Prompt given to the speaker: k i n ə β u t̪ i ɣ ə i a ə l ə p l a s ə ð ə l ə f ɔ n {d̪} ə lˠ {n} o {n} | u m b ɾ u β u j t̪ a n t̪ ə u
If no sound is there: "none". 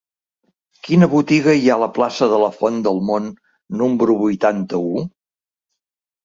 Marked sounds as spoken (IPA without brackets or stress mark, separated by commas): d̪, m, nː